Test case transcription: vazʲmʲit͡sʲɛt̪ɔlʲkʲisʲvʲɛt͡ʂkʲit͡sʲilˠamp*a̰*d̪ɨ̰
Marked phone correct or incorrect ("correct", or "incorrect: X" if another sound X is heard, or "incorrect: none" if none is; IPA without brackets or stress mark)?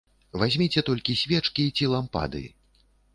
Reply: correct